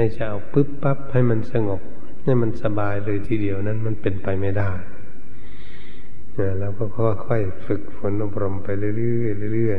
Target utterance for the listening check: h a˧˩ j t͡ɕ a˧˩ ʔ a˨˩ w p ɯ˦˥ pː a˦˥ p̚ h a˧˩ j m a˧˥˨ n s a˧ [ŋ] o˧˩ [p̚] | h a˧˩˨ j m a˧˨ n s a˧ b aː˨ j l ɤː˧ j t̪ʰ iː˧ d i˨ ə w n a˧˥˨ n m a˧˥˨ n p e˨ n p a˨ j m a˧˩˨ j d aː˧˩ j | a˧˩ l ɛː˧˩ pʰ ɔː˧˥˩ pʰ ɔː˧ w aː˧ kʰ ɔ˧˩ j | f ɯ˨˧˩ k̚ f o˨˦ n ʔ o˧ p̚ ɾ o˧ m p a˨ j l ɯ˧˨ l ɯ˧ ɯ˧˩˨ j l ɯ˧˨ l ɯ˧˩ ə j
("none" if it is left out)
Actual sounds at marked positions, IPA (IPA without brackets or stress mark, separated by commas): ŋ, p̚